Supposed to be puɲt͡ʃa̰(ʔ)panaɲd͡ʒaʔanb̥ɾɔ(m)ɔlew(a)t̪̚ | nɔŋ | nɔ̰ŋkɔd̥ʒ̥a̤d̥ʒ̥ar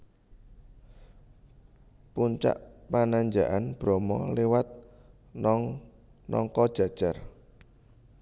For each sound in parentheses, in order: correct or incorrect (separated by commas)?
correct, correct, correct